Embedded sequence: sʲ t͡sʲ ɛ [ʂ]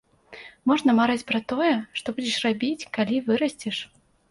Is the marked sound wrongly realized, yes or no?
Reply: no